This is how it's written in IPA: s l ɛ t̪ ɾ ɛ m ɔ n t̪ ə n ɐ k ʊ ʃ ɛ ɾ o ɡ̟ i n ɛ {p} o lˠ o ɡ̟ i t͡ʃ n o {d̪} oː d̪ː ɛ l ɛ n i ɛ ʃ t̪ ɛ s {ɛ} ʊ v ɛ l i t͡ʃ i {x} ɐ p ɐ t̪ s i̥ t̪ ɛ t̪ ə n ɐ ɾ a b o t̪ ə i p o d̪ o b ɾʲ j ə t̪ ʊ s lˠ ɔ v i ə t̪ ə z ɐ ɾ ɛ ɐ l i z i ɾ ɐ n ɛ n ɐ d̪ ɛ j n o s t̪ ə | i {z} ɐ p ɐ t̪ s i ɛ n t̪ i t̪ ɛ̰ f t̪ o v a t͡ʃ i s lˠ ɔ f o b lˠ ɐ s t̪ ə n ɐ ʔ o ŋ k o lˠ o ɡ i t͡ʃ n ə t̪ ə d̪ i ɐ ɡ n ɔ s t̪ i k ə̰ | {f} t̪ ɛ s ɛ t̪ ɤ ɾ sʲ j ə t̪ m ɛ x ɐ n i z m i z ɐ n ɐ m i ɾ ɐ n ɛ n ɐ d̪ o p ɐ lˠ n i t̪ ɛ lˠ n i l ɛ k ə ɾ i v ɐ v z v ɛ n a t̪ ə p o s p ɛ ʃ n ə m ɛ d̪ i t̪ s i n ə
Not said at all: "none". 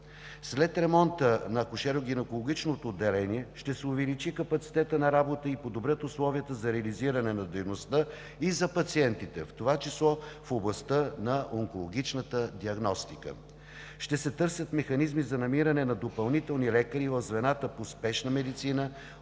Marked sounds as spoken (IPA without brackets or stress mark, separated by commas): k, t̪, ɛ, k, z, ʃ